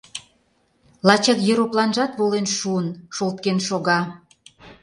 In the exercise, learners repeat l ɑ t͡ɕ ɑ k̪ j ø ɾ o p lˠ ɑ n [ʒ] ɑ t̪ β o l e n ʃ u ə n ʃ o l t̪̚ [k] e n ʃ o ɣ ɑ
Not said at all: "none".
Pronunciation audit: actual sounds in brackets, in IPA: ʒ, k

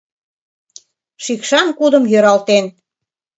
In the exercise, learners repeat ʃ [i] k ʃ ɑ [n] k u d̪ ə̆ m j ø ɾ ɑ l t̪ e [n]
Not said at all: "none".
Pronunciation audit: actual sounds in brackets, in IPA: i, n, n

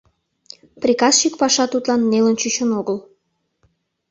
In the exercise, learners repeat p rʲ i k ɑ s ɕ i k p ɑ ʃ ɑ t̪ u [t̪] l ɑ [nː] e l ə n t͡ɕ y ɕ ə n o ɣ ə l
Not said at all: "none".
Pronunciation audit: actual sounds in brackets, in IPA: t̪, nː

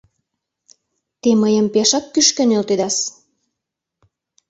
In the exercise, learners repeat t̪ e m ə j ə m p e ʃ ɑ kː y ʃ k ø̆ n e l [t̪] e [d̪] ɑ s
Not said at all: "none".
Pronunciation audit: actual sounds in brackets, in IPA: t̪, d̪

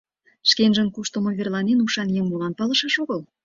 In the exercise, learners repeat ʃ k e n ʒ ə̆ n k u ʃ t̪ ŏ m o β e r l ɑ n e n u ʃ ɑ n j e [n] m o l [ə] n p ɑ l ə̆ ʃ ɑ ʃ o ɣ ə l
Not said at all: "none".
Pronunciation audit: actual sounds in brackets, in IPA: ŋ, ɑ

